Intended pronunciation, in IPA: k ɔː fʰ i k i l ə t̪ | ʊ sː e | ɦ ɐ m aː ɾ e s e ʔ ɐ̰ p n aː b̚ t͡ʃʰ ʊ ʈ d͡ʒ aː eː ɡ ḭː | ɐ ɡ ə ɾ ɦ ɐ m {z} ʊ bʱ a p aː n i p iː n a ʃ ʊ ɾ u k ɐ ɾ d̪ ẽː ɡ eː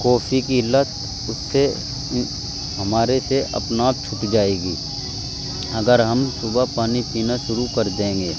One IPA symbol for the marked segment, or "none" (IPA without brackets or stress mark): s